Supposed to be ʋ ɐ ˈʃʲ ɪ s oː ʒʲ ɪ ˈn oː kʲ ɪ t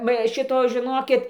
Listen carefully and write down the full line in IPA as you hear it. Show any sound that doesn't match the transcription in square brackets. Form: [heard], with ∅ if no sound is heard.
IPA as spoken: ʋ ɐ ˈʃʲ ɪ [t] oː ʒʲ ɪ ˈn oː kʲ ɪ t